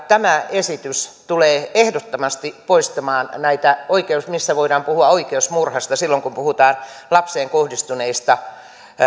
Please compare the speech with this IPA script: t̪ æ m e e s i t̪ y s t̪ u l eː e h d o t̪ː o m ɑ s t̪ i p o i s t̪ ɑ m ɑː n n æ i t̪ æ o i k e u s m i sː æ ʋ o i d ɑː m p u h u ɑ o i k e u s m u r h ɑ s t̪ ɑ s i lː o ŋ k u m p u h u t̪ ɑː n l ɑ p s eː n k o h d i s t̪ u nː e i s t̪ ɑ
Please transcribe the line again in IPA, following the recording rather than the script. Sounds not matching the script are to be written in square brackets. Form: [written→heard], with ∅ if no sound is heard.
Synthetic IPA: t̪ æ m [e→æ] e s i t̪ y s t̪ u l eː e h d o t̪ː o m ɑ s t̪ i p o i s t̪ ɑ m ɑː n n æ i t̪ æ o i k e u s m i sː æ ʋ o i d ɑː m p u h u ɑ o i k e u s m u r h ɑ s t̪ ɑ s i lː o ŋ k u m p u h u t̪ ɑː n l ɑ p s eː [n→ŋ] k o h d i s t̪ u [nː→n] e i s t̪ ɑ